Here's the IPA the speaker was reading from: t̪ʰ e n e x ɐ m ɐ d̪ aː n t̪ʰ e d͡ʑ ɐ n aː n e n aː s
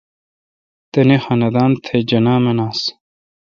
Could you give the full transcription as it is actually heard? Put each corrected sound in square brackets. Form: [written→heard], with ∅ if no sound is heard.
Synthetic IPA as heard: [t̪ʰ→t̪] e n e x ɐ [m→n] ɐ d̪ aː n t̪ʰ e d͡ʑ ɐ n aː [n→m] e n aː s

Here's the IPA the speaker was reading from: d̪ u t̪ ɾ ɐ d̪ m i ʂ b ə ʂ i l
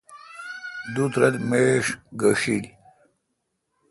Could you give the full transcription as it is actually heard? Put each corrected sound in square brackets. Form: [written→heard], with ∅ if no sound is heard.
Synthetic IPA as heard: d̪ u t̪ ɾ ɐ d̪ m [i→e] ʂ [b→ɡ] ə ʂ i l

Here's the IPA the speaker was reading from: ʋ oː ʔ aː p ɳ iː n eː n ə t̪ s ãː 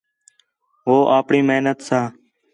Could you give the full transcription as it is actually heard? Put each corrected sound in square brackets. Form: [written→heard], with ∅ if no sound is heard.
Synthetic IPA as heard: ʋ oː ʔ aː p ɳ iː [n→m] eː n ə t̪ s [ãː→aː]

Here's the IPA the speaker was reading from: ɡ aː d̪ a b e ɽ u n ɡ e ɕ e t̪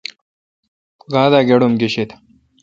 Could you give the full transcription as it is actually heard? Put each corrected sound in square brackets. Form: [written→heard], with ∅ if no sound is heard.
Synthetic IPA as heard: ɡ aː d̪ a [b→ɡ] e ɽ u [n→m] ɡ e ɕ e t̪

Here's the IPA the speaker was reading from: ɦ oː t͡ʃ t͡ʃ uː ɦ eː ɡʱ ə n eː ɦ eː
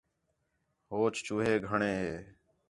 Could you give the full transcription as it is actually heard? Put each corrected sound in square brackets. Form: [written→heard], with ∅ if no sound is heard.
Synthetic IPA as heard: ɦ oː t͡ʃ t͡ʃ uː ɦ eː ɡʱ ə [n→ɳ] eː ɦ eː

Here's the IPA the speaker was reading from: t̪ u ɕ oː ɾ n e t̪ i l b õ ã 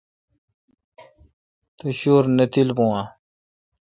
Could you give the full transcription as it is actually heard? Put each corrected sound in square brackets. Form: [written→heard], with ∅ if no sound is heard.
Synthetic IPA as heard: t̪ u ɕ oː ɾ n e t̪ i l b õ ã

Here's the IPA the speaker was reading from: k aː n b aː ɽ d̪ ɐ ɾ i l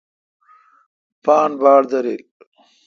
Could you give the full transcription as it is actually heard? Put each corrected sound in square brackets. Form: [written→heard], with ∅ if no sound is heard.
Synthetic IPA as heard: [k→p] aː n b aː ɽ d̪ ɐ ɾ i l

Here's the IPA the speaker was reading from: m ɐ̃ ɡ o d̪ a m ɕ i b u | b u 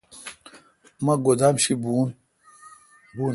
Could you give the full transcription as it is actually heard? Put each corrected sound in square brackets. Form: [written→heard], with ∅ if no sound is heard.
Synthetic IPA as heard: m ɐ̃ ɡ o d̪ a m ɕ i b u | b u

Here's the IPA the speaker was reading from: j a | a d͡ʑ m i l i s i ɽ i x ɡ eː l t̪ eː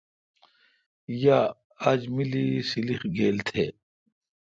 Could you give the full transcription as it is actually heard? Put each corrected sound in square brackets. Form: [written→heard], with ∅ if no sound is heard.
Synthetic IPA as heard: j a | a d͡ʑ m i l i s i [ɽ→l] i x ɡ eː l [t̪→t̪ʰ] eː

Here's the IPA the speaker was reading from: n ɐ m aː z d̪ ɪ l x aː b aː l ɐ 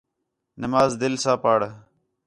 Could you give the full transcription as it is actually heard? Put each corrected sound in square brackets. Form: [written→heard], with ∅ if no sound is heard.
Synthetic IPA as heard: n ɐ m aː z d̪ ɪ l [x→s] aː [b→p] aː [l→ɽ] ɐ

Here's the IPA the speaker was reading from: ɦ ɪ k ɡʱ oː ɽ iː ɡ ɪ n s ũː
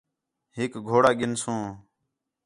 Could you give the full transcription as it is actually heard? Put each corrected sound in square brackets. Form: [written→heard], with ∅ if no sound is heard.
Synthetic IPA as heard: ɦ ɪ k ɡʱ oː ɽ [iː→aː] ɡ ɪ n s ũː

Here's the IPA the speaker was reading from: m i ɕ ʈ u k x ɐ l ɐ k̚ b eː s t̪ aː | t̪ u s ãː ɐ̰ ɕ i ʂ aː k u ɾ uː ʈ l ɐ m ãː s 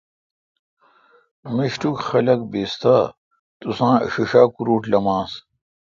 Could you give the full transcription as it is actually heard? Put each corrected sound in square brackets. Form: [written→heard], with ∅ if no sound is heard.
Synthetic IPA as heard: m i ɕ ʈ u k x ɐ l ɐ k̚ b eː s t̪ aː | t̪ u s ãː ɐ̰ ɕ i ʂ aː k u ɾ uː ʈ l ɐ m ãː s

